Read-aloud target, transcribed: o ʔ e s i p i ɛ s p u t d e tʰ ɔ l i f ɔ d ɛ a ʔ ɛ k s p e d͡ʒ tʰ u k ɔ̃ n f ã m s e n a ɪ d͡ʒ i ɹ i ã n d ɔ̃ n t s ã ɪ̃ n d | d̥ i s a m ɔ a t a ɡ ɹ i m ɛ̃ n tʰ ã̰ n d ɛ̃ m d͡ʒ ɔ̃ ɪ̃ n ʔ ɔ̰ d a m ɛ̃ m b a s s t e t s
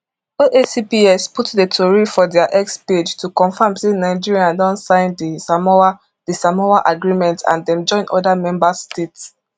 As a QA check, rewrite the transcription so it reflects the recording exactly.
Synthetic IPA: o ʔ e s i p i ɛ s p u t d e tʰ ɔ ɹ i f ɔ d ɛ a ʔ ɛ k s p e d͡ʒ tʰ u k ɔ̃ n f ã m s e n a ɪ d͡ʒ i ɹ i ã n d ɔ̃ n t s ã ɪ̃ n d | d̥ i s a m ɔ a ʔ a ɡ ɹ i m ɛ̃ n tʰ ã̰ n d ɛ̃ m d͡ʒ ɔ̃ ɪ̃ n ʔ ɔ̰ d a m ɛ̃ m b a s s t e t s